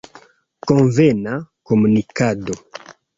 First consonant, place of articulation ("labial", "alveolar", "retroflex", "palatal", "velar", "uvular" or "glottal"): velar